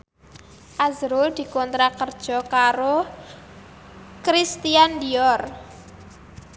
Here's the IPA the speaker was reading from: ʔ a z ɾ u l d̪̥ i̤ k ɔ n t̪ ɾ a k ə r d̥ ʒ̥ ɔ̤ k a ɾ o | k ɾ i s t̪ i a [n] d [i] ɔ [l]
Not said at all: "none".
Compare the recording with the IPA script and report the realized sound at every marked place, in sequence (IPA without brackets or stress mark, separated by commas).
n, i, r